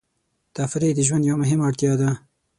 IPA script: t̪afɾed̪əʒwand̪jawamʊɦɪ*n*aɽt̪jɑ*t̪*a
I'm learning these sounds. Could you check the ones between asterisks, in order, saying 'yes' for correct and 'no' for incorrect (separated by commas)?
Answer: no, no